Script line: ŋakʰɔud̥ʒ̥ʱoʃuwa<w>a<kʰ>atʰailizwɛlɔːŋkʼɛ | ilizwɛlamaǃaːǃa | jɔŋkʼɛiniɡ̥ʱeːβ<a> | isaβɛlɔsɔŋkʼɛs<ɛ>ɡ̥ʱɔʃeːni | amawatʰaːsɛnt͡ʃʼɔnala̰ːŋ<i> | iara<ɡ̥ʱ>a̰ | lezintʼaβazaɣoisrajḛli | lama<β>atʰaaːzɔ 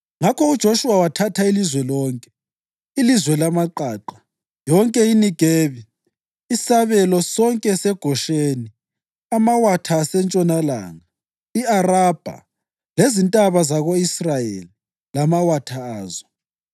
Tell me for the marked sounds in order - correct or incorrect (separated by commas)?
correct, incorrect, incorrect, correct, incorrect, incorrect, incorrect